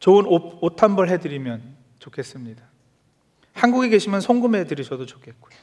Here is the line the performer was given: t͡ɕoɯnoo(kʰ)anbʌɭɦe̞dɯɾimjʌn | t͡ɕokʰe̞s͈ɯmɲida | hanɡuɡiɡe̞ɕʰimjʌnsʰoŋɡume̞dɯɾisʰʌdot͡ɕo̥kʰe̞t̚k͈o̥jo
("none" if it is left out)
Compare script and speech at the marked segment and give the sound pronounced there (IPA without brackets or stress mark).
tʰ